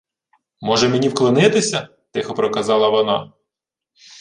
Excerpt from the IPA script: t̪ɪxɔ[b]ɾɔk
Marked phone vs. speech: incorrect: p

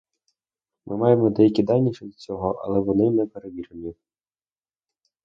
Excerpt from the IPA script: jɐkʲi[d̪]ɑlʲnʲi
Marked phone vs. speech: correct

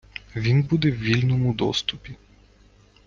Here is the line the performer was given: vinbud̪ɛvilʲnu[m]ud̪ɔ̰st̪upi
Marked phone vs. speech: correct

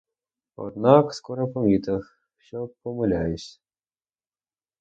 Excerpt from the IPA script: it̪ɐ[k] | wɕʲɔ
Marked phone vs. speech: incorrect: x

